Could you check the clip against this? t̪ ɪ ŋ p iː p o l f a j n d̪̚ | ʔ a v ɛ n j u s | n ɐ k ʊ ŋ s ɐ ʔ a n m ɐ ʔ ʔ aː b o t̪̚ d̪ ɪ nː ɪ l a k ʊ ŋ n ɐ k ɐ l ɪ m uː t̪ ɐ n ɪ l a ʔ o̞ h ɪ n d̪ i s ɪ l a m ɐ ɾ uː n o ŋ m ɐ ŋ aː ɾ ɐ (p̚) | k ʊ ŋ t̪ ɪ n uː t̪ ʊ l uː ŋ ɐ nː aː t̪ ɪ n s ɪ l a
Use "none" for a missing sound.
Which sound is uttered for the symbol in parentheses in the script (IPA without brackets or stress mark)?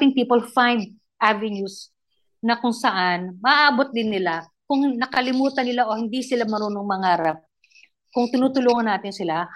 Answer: p̚